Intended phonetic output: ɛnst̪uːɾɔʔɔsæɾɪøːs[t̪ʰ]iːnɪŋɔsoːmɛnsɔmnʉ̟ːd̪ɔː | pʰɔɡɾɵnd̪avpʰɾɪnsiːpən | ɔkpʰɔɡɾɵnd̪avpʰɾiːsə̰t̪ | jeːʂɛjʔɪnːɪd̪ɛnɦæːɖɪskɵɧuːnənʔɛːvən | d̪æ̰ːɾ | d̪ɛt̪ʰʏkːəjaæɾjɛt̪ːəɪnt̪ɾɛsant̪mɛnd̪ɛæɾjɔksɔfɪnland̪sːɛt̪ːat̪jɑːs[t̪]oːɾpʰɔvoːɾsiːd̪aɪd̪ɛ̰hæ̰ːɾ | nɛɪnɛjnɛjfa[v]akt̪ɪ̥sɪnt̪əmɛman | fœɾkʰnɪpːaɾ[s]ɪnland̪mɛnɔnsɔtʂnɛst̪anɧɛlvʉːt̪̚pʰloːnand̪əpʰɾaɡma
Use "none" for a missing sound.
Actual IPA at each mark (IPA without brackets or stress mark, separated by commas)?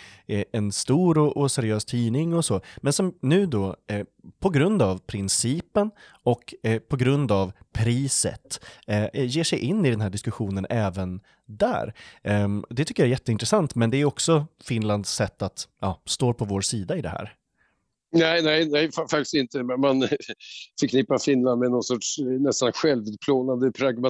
t̪ʰ, t̪, f, f